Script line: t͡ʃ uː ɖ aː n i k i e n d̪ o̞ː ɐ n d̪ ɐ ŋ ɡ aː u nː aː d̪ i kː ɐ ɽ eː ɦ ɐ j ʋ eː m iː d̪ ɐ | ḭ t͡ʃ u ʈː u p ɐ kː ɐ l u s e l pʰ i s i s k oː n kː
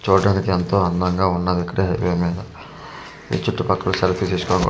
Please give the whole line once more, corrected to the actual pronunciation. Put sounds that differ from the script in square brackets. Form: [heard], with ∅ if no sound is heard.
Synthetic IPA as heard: t͡ʃ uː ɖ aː n i k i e n [t̪] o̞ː ɐ n d̪ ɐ ŋ ɡ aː u nː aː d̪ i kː ɐ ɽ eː ɦ ɐ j ʋ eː m iː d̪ ɐ | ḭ t͡ʃ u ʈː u p ɐ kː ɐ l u s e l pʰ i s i s k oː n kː